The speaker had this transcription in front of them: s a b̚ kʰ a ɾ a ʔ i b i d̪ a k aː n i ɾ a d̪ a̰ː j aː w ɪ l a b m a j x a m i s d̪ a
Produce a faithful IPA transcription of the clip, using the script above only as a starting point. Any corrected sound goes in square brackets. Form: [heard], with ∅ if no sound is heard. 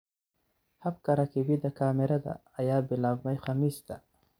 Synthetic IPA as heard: [h] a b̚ [k] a ɾ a [k] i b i d̪ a k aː [m] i ɾ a d̪ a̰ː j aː [b] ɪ l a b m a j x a m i s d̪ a